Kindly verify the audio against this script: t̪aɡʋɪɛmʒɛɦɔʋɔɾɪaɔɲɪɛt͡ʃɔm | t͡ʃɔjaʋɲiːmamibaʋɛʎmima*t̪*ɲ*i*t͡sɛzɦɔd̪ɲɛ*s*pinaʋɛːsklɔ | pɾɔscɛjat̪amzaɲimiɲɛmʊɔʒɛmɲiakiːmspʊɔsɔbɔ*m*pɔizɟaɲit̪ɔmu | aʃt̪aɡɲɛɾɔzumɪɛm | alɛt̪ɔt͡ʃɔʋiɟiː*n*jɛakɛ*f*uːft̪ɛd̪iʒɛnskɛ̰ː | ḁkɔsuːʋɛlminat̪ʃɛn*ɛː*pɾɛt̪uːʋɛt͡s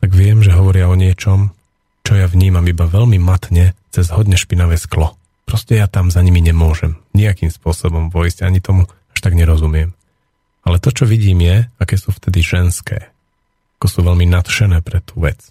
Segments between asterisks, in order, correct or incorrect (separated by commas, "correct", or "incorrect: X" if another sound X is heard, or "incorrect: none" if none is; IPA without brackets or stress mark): correct, incorrect: ɛ, incorrect: ʃ, correct, incorrect: m, incorrect: s, correct